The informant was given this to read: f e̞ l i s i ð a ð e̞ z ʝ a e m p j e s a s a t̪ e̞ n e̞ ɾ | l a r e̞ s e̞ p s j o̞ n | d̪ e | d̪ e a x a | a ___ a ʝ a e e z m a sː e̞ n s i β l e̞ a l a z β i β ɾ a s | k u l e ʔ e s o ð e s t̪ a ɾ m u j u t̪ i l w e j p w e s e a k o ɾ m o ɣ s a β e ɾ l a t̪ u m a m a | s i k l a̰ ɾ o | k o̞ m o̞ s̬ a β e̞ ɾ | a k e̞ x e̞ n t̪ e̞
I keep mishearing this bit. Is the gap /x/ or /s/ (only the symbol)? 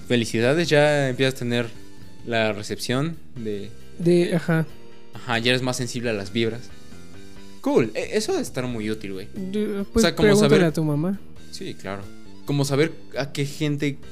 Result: x